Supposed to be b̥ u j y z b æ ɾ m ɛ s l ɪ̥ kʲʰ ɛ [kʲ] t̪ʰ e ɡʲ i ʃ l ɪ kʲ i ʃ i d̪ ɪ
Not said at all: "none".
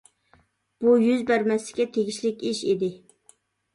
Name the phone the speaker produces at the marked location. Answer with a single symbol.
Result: none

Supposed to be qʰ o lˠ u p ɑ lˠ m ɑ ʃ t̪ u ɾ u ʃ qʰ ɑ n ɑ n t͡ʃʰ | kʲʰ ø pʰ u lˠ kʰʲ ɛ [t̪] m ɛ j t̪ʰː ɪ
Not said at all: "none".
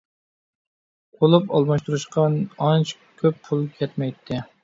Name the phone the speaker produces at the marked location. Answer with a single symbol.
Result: t̪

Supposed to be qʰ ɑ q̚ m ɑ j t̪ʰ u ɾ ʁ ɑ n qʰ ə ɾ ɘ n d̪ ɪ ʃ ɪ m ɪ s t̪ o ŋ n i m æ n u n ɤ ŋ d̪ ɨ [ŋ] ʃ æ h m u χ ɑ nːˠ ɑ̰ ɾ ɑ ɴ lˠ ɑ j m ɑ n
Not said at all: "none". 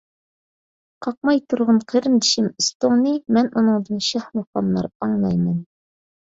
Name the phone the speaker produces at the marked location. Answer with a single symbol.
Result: n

